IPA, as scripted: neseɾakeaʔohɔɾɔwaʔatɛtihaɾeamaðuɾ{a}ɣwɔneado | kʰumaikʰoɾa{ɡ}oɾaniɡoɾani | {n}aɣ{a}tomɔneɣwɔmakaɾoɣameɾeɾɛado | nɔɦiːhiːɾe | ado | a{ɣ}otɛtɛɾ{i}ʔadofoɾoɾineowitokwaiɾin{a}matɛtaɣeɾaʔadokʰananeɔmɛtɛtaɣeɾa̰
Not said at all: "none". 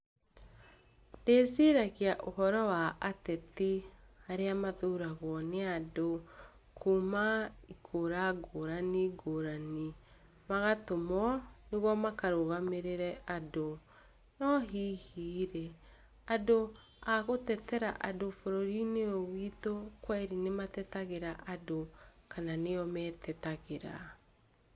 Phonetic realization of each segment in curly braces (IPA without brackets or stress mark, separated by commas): a, ɡ, m, a, ɣ, a, e